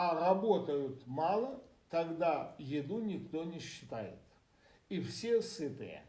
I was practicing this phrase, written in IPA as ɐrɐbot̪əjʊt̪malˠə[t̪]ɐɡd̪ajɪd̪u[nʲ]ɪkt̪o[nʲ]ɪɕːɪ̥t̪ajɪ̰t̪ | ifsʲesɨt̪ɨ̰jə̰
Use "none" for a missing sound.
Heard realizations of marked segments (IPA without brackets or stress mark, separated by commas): t̪, nʲ, nʲ